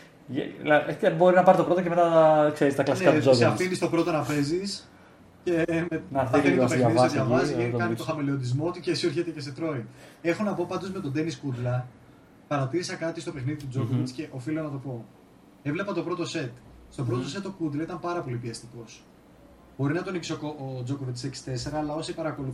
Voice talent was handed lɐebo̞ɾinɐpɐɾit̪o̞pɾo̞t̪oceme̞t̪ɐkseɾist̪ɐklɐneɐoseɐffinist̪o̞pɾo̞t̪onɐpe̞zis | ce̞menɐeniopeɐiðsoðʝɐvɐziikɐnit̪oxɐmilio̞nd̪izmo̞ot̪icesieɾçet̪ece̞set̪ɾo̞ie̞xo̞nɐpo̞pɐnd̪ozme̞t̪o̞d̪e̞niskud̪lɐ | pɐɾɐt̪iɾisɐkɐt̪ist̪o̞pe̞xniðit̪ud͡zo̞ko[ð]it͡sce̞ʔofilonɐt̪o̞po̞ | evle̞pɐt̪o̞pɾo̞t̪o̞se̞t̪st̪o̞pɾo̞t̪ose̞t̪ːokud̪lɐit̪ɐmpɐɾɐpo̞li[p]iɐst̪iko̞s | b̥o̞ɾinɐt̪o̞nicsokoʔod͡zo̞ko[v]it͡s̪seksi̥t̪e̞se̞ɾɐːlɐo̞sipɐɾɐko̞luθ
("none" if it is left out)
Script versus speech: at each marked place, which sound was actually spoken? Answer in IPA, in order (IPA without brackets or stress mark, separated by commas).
v, p, v